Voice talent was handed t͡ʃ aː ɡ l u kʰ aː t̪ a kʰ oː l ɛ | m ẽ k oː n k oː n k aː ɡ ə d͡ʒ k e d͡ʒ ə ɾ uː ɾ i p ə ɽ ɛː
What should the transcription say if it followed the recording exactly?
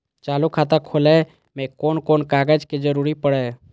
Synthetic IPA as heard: t͡ʃ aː l u kʰ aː t̪ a kʰ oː l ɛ | m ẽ k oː n k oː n k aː ɡ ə d͡ʒ k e d͡ʒ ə ɾ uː ɾ i p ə ɽ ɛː